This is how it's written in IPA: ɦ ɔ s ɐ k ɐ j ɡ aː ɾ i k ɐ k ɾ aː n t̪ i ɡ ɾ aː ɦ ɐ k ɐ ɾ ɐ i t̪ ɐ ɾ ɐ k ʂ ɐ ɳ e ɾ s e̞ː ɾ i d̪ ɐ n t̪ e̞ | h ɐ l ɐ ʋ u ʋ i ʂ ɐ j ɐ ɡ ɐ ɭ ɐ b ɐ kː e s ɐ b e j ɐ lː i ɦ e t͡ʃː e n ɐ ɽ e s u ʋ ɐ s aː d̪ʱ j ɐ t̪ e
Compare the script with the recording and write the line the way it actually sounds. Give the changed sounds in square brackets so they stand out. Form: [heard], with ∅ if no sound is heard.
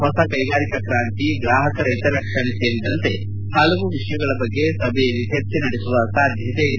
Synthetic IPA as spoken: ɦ ɔ s ɐ k ɐ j ɡ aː ɾ i k ɐ k ɾ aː n t̪ i ɡ ɾ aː ɦ ɐ k ɐ ɾ ɐ [j] t̪ ɐ ɾ ɐ k ʂ ɐ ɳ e [∅] s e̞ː ɾ i d̪ ɐ n t̪ e̞ | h ɐ l ɐ ʋ u ʋ i ʂ ɐ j ɐ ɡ ɐ ɭ ɐ b ɐ [ɡː] e s ɐ b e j ɐ lː i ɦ e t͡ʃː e n ɐ ɽ e s u ʋ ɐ s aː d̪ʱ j ɐ t̪ e